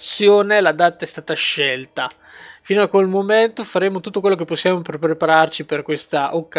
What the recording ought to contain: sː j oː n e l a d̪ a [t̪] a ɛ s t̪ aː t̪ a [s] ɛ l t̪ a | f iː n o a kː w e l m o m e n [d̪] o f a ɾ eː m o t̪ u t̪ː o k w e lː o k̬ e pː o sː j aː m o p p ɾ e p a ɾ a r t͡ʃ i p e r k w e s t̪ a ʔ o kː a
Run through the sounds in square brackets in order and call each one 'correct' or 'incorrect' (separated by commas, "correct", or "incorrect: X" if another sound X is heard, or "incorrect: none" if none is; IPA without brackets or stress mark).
correct, incorrect: ʃ, incorrect: t̪